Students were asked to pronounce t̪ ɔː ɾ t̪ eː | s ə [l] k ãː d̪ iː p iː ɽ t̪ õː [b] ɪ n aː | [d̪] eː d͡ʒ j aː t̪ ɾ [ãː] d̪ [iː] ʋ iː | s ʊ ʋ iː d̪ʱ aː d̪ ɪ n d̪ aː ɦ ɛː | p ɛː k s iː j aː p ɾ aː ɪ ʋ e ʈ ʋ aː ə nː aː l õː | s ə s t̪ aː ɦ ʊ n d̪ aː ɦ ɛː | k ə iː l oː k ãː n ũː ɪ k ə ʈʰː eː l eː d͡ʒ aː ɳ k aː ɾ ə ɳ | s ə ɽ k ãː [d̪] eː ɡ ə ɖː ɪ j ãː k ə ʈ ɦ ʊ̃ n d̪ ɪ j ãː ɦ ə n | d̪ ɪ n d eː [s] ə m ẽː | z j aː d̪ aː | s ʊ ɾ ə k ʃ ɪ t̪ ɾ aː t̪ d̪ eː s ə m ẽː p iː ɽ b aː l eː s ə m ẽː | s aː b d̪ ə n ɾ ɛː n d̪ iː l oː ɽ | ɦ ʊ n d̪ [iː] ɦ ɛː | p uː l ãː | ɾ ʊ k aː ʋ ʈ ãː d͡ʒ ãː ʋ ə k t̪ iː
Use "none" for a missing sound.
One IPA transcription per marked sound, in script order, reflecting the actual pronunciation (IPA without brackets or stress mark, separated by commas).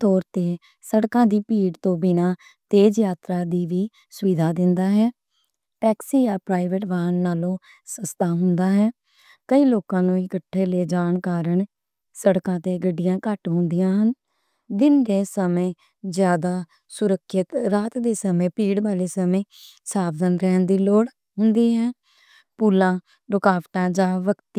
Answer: ɽ, b, t̪, aː, iː, t̪, s, iː